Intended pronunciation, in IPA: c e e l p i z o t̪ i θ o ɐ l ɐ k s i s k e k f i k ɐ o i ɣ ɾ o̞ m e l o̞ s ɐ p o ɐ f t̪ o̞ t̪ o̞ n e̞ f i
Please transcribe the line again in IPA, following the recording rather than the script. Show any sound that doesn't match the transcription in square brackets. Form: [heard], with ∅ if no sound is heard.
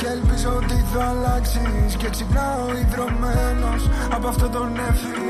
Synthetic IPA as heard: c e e l p i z o t̪ i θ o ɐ l ɐ k s i s [c] e k [s] i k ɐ o i [ð] ɾ o̞ m e l o̞ s ɐ p o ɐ f t̪ o̞ t̪ o̞ n e̞ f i